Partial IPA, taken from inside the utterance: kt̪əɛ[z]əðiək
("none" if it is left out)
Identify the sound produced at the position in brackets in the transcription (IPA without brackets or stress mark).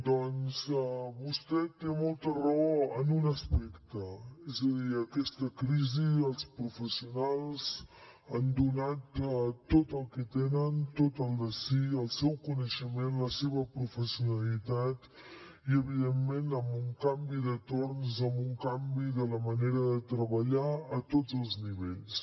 z